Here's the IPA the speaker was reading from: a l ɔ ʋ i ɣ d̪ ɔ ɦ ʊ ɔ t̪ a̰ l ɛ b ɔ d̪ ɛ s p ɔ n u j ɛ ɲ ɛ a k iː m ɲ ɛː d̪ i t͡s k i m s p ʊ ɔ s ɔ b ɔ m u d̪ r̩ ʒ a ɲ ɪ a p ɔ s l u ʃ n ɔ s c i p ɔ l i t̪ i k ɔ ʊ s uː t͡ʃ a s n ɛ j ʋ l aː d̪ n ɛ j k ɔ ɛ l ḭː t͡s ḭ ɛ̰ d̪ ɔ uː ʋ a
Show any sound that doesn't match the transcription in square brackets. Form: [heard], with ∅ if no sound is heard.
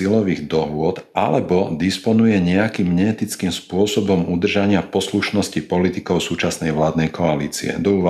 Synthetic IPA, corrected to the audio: [i] l ɔ ʋ i ɣ d̪ ɔ ɦ ʊ ɔ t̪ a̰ l ɛ b ɔ d̪ [i] s p ɔ n u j ɛ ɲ ɛ a k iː m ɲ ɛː [t̪] i t͡s k i m s p ʊ ɔ s ɔ b ɔ m u d̪ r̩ ʒ a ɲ ɪ a p ɔ s l u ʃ n ɔ s c i p ɔ l i t̪ i k ɔ ʊ s uː t͡ʃ a s n ɛ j ʋ l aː d̪ n ɛ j k ɔ [a] l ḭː t͡s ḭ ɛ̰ d̪ ɔ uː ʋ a